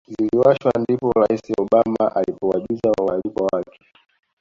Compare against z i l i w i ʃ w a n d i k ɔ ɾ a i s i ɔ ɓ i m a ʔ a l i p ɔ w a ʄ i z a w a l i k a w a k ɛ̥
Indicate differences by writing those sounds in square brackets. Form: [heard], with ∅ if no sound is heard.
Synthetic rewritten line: z i l i w [a] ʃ w a n d i [p] ɔ ɾ a i s i ɔ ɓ [a] m a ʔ a l i p ɔ w a ʄ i z a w a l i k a w a k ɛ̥